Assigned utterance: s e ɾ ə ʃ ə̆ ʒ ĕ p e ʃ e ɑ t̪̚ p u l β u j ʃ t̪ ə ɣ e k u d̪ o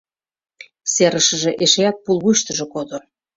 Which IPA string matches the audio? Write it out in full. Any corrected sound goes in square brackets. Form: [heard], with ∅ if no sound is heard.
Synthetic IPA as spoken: s e ɾ ə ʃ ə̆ ʒ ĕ [ʔ] e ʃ e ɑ t̪̚ p u l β u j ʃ t̪ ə [ʒ] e k [o] d̪ o